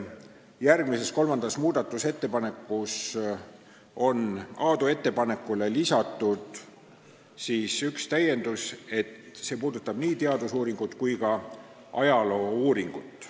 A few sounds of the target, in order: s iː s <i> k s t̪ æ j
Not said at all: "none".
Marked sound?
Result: y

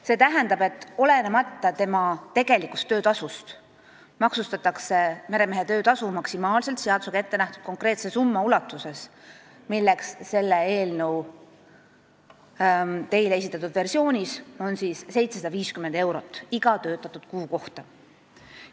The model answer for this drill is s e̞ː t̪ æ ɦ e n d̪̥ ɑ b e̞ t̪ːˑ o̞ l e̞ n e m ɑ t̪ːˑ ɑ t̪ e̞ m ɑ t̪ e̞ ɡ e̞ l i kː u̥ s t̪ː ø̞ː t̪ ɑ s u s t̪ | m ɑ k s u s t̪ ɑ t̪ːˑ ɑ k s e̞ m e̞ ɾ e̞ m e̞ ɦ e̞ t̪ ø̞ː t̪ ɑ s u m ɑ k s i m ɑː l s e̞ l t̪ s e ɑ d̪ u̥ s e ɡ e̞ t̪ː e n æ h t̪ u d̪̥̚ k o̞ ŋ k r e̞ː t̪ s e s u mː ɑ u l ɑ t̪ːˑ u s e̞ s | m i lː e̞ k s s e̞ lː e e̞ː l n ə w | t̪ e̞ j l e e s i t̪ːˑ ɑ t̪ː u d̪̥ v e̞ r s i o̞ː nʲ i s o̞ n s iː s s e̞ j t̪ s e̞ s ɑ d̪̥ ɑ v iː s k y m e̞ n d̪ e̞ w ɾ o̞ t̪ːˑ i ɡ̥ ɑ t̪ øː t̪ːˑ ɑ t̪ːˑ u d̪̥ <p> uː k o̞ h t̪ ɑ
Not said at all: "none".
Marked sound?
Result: k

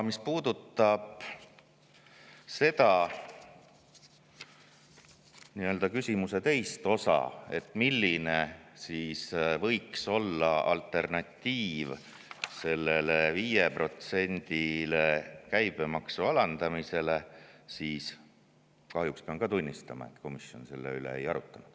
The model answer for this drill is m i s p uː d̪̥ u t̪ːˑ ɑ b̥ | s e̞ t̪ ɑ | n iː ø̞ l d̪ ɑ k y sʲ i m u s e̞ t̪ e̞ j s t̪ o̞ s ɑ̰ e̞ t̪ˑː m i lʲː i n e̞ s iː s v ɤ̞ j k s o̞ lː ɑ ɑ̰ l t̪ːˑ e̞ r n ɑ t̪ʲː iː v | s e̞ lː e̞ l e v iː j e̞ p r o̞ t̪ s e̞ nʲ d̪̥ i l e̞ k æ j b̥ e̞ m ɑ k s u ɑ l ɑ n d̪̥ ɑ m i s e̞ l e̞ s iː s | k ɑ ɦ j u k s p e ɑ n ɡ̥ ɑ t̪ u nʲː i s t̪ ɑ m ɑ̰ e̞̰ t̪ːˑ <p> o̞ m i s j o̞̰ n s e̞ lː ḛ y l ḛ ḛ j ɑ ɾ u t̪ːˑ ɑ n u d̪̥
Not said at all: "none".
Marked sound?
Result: k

